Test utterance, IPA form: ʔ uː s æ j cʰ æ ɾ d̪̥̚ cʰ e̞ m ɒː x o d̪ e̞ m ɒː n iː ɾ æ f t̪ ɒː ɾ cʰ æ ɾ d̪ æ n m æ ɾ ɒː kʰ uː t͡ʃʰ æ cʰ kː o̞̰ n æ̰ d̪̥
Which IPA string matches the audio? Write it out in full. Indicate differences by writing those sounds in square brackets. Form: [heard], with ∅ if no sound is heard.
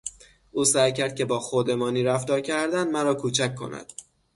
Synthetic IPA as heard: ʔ uː s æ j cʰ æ ɾ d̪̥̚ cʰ e̞ [b] ɒː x o d̪ e̞ m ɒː n iː ɾ æ f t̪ ɒː ɾ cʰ æ ɾ d̪ æ n m æ ɾ ɒː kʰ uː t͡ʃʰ æ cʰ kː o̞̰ n æ̰ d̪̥